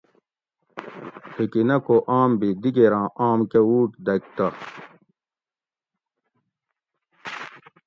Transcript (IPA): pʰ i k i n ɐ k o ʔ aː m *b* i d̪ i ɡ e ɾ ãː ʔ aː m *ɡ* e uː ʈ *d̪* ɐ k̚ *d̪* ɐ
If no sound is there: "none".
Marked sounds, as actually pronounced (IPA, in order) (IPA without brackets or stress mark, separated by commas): b, k, d̪, t̪